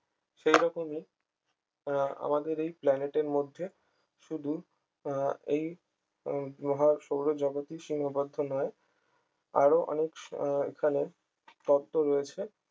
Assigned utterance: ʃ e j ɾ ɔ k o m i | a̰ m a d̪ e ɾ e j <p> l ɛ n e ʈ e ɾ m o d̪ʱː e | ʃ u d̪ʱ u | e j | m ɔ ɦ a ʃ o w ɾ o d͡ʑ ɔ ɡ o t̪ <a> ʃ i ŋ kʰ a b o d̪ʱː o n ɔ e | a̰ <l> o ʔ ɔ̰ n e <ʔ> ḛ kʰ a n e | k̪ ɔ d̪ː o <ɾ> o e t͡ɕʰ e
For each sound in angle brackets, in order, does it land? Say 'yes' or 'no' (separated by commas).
yes, no, no, no, yes